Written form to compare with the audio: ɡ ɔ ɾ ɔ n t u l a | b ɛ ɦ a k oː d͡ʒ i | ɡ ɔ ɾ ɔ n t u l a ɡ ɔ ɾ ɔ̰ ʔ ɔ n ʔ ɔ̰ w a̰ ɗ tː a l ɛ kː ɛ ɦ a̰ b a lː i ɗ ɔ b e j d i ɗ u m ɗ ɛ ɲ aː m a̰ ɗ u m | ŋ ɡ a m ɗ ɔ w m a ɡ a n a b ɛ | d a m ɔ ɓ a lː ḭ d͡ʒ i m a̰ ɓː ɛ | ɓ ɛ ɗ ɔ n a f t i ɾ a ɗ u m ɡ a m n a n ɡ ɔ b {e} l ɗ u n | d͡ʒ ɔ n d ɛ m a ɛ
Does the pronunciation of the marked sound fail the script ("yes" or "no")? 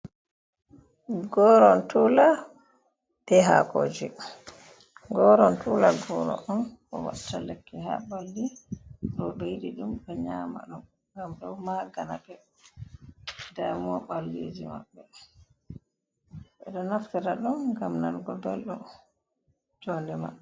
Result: yes